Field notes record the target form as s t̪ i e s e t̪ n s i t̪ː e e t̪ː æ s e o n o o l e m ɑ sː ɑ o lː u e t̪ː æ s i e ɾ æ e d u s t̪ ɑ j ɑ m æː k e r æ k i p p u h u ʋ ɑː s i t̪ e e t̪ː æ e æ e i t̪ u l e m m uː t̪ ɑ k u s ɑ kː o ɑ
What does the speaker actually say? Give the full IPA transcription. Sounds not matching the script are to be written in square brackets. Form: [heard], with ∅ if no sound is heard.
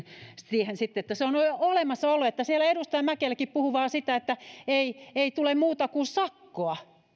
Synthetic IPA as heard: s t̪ i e [h] e [∅] n s i t̪ː e e t̪ː æ s e o n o o l e m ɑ sː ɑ o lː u e t̪ː æ s i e [l] æ e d u s t̪ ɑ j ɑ m [æ] k e [l] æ k i p p u h u ʋ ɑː s i t̪ [æ] e t̪ː æ e [i] e i t̪ u l e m m uː t̪ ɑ k u s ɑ kː o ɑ